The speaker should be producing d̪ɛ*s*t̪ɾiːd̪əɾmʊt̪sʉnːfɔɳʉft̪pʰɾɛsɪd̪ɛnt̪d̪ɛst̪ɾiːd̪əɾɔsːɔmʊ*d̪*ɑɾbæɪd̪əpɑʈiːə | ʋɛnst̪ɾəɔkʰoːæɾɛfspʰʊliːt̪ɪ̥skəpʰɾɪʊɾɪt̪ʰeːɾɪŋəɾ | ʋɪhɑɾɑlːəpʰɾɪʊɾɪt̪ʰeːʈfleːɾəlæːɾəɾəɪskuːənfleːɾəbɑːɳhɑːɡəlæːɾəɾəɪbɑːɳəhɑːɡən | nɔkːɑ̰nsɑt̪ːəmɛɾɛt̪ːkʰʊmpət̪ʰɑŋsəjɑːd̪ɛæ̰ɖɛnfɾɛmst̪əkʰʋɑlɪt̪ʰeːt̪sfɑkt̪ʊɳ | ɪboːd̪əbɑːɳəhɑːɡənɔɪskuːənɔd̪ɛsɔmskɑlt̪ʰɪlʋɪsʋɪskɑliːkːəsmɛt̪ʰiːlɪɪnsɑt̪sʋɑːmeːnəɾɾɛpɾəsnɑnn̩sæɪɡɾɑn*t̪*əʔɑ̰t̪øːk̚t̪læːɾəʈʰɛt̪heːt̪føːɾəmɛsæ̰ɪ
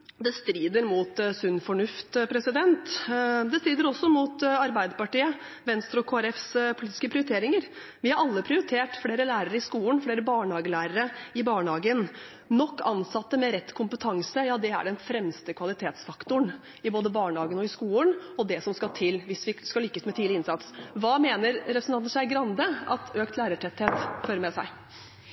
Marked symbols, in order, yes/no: yes, no, no

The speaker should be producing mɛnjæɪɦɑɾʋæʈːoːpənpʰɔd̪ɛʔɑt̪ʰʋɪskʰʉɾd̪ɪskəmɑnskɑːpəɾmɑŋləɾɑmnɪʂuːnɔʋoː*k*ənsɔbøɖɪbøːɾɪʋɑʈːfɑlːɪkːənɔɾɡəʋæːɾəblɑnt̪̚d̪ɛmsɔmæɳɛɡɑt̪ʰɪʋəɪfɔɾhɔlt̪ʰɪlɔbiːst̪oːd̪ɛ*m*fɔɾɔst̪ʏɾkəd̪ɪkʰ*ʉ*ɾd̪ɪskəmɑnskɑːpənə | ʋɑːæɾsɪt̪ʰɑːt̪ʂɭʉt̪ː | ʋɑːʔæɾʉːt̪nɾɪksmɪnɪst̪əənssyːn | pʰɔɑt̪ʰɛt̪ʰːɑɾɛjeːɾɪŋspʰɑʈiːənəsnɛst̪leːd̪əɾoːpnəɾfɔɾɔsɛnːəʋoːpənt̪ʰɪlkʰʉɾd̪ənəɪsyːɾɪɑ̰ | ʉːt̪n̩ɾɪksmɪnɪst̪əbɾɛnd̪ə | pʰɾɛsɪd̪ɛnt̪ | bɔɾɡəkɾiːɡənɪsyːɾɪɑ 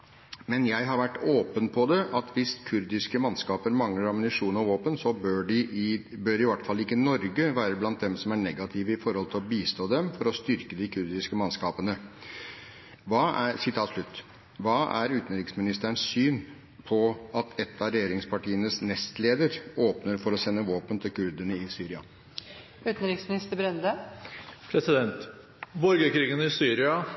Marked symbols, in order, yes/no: no, yes, yes

